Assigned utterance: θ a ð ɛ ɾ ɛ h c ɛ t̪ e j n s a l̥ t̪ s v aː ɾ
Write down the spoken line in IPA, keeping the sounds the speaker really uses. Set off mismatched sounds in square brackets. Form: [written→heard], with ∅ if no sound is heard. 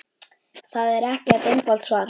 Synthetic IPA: θ a ð ɛ ɾ ɛ h c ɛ t̪ e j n [s→f] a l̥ t̪ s v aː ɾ